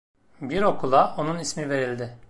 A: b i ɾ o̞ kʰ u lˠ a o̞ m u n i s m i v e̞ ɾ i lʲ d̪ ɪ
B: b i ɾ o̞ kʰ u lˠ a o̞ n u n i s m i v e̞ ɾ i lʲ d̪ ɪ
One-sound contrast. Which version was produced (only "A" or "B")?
B